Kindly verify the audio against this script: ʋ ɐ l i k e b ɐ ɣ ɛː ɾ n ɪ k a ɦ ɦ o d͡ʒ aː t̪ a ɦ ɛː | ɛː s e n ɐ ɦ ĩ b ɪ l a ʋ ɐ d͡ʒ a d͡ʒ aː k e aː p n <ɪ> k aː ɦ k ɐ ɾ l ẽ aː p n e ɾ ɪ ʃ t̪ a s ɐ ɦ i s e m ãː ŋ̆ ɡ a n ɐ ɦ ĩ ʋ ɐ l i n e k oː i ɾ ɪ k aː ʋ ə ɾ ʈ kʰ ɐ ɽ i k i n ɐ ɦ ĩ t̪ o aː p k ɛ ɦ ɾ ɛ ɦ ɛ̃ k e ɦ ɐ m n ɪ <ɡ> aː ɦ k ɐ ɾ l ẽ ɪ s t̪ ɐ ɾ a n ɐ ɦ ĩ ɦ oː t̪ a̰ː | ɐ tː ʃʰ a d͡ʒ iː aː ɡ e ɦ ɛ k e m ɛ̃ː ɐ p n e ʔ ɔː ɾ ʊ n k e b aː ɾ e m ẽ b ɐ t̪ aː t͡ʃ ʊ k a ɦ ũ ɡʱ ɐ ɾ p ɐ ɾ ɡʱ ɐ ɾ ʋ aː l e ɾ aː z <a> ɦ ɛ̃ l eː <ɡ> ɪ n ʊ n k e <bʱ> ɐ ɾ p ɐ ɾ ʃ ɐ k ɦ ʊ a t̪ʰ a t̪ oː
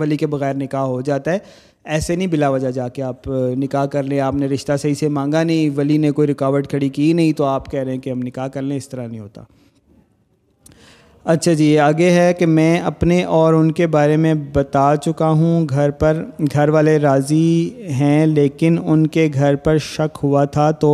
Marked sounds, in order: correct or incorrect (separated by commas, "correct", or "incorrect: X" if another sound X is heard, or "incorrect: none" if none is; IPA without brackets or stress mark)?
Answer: correct, incorrect: k, incorrect: i, incorrect: k, incorrect: ɡʱ